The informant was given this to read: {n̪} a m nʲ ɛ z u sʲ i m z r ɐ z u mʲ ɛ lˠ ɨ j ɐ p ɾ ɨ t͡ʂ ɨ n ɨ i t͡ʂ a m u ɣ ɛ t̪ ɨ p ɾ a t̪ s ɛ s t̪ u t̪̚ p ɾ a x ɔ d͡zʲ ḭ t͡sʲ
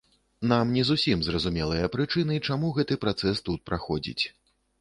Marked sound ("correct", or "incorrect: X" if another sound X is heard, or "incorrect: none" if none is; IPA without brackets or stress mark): correct